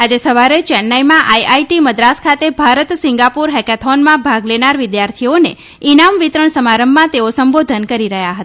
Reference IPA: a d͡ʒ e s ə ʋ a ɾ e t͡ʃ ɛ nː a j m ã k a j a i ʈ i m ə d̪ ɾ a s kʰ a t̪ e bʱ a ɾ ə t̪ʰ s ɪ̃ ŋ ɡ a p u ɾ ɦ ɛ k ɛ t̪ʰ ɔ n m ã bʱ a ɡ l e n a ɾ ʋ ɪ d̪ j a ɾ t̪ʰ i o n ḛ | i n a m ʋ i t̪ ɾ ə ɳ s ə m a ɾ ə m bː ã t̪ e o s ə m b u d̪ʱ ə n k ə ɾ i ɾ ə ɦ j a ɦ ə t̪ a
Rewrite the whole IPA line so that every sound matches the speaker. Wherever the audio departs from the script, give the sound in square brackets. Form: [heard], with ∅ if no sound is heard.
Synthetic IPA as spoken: a d͡ʒ e s ə ʋ a ɾ e t͡ʃ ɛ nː a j m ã [ʔ] a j a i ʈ i m ə d̪ ɾ a s kʰ a t̪ e bʱ a ɾ ə [t̪] s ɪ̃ ŋ ɡ a p u ɾ ɦ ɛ k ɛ t̪ʰ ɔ n m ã bʱ a ɡ l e n a ɾ ʋ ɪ d̪ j a ɾ t̪ʰ i o n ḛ | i n a m ʋ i t̪ ɾ ə ɳ s ə m a ɾ ə m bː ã t̪ e o s ə m b [o] d̪ʱ ə n k ə ɾ i ɾ ə ɦ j a ɦ ə t̪ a